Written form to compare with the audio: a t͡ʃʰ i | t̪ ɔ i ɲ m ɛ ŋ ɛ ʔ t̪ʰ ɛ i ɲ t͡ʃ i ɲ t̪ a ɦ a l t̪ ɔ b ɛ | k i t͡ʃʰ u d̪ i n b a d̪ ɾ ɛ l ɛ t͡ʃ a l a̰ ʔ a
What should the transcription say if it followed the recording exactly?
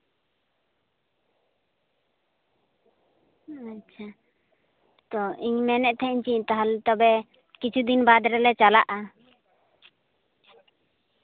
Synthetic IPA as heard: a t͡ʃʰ a | t̪ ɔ i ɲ m ɛ n ɛ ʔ t̪ʰ ɛ i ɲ t͡ʃ i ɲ t̪ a ɦ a l t̪ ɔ b ɛ | k i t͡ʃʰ u d̪ i n b a d̪ ɾ ɛ l ɛ t͡ʃ a l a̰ ʔ a

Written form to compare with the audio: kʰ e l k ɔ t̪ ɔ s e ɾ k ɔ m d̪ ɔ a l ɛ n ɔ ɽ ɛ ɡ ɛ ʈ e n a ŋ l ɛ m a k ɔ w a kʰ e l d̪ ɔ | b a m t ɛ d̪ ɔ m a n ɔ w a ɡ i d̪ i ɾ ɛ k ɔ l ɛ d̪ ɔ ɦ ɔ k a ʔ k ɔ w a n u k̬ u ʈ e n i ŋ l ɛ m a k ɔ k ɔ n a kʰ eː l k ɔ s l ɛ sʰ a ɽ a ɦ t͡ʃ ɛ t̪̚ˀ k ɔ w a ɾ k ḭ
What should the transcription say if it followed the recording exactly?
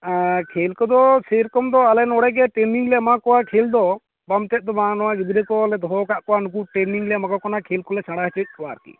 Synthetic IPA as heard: kʰ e l k ɔ d̪ ɔ s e ɾ k ɔ m d̪ ɔ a l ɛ n ɔ ɽ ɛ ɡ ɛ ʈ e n i ŋ l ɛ m a k ɔ w a kʰ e l d̪ ɔ | b a m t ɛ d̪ ɔ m a n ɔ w a ɡ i d̪ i ɾ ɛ k ɔ l ɛ d̪ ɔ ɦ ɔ k a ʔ k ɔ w a n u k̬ u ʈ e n i ŋ l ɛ m a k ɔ k ɔ n a kʰ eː l k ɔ l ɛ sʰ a ɽ a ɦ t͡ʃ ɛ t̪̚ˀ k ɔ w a ɾ k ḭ

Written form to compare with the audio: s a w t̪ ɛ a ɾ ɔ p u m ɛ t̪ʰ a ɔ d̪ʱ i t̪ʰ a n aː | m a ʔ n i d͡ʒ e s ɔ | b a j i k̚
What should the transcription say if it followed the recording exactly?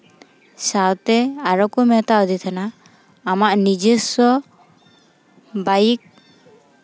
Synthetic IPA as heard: s a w t̪ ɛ a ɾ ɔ k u m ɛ t̪ a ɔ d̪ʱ i t̪ʰ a n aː | m a ʔ n i d͡ʒ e s ɔ | b a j i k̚

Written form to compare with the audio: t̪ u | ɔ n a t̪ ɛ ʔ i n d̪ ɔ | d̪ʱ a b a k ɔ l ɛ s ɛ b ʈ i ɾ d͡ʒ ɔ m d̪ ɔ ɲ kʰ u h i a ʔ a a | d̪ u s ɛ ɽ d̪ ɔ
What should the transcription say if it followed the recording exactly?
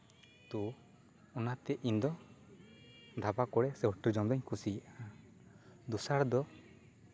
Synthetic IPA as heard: t̪ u | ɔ n a t̪ ɛ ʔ i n d̪ ɔ | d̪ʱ a b a k ɔ ɽ ɛ s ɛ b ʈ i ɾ d͡ʒ ɔ m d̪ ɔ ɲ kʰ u s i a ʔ a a | d̪ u s a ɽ d̪ ɔ

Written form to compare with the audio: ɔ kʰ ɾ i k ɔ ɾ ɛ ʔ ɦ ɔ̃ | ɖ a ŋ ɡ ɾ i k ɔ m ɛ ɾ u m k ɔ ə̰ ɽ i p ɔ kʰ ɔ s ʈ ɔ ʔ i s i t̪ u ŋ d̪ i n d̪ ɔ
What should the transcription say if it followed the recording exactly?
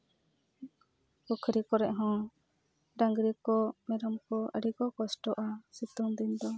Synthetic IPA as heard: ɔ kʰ ɾ i k ɔ ɾ ɛ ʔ ɦ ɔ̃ | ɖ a ŋ ɡ ɾ i k ɔ m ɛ ɾ ɔ m k ɔ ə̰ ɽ i k ɔ k ɔ s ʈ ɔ ʔ a s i t̪ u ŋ d̪ i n d̪ ɔ

